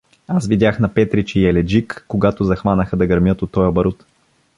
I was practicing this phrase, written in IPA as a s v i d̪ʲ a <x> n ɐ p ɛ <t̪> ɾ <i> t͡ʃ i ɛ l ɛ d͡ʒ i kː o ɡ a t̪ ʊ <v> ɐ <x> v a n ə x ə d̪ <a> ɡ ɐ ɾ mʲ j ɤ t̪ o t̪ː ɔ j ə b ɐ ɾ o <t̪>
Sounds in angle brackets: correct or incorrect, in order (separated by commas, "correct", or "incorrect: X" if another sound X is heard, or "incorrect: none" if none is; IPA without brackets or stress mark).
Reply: correct, correct, correct, incorrect: z, correct, incorrect: ɐ, correct